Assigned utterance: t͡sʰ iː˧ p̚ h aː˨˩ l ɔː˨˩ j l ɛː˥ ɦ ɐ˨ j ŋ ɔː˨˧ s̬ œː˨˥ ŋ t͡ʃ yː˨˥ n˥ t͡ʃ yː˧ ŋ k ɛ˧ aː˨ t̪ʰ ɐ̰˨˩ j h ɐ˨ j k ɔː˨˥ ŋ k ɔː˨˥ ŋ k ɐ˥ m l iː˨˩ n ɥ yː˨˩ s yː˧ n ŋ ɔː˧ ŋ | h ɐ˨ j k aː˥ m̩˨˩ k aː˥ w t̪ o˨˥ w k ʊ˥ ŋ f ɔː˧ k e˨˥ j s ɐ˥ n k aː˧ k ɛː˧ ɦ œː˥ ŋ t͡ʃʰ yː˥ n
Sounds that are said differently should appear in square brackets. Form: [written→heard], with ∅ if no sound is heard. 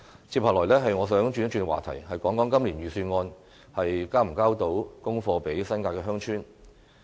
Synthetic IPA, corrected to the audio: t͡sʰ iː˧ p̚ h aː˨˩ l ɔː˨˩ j l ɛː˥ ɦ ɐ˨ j ŋ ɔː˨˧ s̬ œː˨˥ ŋ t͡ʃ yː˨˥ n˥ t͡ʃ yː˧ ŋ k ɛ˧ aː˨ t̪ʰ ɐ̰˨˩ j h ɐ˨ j k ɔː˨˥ ŋ k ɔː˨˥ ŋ k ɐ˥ m l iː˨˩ n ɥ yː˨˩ s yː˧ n ŋ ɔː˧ [ŋ→n] | h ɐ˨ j k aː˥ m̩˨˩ k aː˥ w t̪ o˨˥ w k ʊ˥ ŋ f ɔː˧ [k→p] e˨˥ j s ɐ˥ n k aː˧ k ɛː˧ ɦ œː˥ ŋ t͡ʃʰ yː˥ n